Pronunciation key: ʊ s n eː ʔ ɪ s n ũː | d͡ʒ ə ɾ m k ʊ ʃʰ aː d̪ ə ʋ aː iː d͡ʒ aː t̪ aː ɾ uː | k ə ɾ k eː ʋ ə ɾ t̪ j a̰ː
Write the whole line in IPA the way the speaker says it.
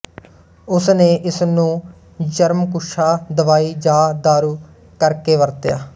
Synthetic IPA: ʊ s n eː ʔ ɪ s n ũː | d͡ʒ ə ɾ m k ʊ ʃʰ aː d̪ ə ʋ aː iː d͡ʒ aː d̪ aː ɾ uː | k ə ɾ k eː ʋ ə ɾ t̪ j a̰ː